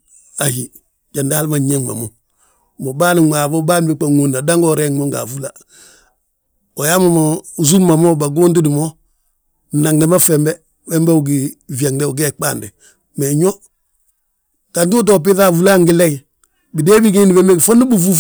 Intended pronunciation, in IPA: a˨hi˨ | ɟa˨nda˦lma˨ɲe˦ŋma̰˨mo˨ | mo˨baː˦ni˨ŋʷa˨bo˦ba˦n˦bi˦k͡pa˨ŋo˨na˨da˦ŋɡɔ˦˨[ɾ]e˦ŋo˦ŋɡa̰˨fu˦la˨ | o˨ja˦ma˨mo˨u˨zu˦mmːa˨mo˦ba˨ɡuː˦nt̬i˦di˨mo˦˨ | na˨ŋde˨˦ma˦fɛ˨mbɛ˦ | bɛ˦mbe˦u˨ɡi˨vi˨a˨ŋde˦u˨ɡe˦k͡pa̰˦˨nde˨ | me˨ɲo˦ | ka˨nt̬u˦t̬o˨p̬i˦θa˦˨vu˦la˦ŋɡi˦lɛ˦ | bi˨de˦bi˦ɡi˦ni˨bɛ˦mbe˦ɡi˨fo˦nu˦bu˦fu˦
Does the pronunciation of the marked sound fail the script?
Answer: no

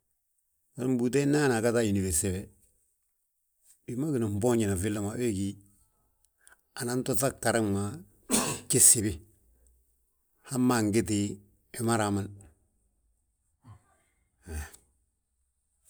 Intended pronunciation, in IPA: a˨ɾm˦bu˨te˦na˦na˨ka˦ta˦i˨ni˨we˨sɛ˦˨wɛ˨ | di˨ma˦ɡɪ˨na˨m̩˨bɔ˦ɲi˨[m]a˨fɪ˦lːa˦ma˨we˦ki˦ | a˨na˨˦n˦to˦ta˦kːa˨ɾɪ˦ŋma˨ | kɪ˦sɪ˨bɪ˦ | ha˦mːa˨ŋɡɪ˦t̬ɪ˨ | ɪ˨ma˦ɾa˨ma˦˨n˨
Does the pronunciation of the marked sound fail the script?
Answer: yes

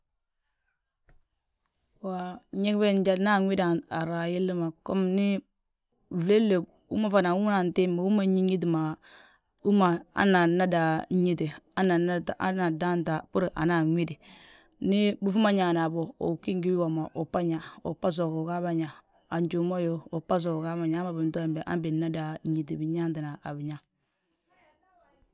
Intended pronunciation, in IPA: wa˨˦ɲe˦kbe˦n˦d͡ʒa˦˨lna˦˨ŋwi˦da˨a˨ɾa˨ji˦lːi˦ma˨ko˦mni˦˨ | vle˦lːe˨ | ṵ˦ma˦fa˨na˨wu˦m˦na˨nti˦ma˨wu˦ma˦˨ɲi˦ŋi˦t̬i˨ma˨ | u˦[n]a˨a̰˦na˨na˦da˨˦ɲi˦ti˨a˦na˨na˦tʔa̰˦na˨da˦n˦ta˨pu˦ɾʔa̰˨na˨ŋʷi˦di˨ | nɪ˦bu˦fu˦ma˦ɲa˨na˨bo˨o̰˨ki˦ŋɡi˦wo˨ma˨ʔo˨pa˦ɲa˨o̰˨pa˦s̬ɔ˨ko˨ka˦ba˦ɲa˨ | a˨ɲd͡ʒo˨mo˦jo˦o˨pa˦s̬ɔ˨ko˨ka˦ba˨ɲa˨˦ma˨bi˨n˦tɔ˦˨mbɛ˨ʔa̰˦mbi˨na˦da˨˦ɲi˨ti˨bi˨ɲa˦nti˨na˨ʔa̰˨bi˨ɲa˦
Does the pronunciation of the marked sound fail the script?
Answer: yes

